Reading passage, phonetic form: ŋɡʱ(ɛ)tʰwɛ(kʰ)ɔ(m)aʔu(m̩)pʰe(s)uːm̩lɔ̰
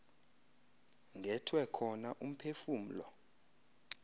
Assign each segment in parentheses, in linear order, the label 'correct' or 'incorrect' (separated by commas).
correct, correct, incorrect, correct, incorrect